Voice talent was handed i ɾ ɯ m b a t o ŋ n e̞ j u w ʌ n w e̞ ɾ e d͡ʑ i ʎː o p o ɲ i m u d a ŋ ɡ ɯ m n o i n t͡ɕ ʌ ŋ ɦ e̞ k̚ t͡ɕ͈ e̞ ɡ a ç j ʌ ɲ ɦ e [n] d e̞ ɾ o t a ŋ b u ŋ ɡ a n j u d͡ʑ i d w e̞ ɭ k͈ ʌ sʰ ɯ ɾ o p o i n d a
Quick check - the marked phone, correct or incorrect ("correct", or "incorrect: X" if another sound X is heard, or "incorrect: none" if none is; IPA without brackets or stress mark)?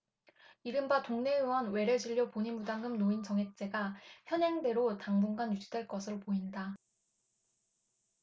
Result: incorrect: ŋ